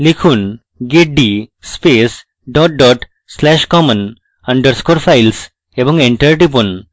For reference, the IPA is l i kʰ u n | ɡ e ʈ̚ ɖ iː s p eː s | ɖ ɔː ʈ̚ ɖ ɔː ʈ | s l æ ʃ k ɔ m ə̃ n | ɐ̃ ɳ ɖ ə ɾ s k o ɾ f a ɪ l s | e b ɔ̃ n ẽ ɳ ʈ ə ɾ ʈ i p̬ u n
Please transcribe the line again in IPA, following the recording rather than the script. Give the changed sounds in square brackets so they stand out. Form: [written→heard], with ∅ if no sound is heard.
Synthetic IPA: l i kʰ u n | ɡ e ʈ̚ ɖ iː s p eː s | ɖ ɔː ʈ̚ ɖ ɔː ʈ | s l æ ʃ k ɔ m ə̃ n | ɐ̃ ɳ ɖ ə ɾ s k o ɾ f a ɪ l s | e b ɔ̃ [n→ŋ] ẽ ɳ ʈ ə ɾ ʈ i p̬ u n